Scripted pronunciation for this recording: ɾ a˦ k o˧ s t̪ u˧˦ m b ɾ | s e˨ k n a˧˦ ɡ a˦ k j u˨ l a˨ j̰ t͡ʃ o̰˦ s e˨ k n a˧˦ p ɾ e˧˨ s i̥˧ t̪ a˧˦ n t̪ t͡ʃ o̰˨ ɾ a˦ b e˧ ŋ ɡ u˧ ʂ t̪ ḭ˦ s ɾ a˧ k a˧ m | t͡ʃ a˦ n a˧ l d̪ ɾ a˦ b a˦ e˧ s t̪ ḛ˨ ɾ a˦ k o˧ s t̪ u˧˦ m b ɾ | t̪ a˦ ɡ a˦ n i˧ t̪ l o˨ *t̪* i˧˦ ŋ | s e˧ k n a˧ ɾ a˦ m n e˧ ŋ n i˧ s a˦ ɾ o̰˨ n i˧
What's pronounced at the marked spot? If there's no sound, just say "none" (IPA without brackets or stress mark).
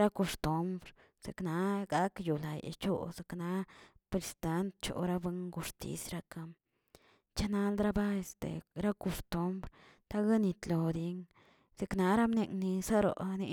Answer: d̪